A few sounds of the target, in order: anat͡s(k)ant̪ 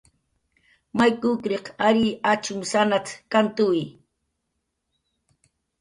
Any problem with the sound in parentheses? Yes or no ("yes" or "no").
no